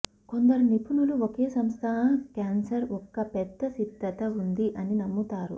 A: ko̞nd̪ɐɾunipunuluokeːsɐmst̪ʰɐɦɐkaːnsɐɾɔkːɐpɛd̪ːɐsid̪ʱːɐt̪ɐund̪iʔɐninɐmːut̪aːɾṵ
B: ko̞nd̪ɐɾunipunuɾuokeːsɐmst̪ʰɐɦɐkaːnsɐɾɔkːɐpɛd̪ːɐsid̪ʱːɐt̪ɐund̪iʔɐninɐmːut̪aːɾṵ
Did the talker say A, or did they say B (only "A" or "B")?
A